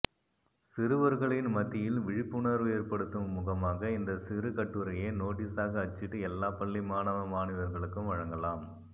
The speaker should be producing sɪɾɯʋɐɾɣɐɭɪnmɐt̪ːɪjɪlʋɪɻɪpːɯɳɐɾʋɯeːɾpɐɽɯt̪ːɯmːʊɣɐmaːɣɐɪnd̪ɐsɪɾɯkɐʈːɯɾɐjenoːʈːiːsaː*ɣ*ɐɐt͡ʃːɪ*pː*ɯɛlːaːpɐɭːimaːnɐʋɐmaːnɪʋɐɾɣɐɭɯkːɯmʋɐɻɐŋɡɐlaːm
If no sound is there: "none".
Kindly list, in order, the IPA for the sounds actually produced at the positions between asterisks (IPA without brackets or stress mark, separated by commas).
ɣ, ʈː